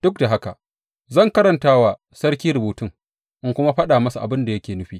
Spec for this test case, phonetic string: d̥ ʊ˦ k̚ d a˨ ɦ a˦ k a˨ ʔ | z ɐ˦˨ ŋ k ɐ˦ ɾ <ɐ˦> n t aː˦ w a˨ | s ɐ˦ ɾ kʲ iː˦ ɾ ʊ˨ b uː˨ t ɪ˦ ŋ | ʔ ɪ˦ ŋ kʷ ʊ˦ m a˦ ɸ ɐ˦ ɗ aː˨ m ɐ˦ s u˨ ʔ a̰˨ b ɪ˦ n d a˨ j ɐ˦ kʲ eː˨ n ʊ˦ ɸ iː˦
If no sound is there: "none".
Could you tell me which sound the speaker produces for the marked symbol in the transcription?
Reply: ɐ˨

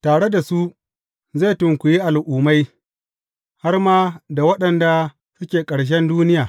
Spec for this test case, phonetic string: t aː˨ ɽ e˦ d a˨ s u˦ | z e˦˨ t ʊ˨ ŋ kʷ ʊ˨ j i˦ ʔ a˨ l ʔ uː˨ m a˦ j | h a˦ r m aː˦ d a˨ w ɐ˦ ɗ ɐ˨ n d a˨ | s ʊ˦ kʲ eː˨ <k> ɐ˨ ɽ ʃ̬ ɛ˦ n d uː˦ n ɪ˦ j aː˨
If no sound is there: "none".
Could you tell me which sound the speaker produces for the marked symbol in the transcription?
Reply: kʼ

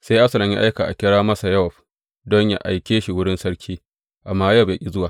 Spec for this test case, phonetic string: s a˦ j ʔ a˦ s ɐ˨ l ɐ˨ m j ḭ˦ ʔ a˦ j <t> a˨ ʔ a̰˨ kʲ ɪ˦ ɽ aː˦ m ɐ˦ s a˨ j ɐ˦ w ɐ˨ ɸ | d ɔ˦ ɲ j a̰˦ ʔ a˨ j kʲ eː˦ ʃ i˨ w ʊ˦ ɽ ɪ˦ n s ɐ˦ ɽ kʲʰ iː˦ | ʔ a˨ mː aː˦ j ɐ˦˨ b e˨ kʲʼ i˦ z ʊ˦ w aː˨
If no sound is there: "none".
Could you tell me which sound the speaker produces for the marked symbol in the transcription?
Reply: k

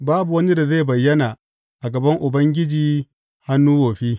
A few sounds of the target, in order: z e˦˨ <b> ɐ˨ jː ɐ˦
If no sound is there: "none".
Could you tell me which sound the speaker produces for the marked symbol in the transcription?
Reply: b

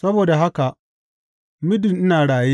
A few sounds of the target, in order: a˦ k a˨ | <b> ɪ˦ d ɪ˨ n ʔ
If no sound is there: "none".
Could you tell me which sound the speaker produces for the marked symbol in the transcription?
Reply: m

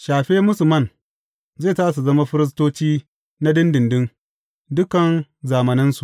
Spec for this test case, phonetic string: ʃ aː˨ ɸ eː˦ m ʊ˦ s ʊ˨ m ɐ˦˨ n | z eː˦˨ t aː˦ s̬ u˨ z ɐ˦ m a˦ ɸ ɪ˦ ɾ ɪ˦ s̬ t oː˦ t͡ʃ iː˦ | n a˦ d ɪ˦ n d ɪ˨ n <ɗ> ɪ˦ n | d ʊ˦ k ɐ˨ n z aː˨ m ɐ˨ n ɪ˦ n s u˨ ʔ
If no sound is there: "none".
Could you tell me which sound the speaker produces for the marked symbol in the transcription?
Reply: d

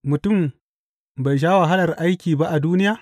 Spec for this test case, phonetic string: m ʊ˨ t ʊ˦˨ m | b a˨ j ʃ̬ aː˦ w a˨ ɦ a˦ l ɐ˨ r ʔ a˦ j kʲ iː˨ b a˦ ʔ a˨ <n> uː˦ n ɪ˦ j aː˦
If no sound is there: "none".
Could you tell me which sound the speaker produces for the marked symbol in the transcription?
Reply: d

